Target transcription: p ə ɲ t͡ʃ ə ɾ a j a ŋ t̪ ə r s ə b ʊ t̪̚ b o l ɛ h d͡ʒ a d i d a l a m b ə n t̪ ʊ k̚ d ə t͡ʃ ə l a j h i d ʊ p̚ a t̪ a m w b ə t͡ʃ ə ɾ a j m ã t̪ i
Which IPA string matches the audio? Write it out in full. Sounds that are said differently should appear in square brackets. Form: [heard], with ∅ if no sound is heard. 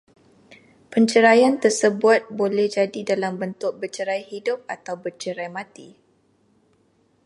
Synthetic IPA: p ə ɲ t͡ʃ ə ɾ a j a [n] t̪ ə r s ə b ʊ t̪̚ b o l ɛ h d͡ʒ a d i d a l a m b ə n t̪ ʊ k̚ [b] ə t͡ʃ ə [ɾ] a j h i d ʊ p̚ a t̪ a [∅] w b ə t͡ʃ ə ɾ a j m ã t̪ i